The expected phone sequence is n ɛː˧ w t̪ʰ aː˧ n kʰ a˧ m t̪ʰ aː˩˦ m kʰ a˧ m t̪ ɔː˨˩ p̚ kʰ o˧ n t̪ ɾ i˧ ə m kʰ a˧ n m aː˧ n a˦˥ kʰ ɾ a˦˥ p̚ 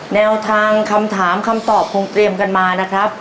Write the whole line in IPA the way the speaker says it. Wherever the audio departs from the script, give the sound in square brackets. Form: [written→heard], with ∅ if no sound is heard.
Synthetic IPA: n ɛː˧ w t̪ʰ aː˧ [n→ŋ] kʰ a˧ m t̪ʰ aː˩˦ m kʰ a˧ m t̪ ɔː˨˩ p̚ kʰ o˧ [n→ŋ] t̪ ɾ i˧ ə m [kʰ→k] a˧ n m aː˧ n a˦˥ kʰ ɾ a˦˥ p̚